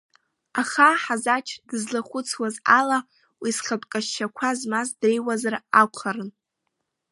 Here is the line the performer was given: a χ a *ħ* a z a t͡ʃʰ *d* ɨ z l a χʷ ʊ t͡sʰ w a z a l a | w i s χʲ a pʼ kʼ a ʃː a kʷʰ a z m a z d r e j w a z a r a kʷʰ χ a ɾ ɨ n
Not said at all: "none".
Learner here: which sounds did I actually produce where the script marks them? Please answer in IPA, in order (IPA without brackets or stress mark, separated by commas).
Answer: ħ, d